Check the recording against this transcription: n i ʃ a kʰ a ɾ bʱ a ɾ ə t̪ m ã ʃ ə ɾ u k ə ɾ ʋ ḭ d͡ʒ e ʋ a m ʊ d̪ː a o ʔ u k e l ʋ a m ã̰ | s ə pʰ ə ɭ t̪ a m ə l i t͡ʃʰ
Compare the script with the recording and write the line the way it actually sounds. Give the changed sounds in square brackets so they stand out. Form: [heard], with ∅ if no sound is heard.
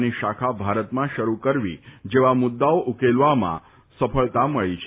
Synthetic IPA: n i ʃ a kʰ a [∅] bʱ a ɾ ə t̪ m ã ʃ ə ɾ u k ə ɾ ʋ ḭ d͡ʒ e ʋ a m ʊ d̪ː a o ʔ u k e l ʋ a m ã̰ | s ə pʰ ə ɭ t̪ a m ə [ɭ] i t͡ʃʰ